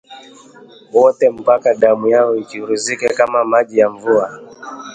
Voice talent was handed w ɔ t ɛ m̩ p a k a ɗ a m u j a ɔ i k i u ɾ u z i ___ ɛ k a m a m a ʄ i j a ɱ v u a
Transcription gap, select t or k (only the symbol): k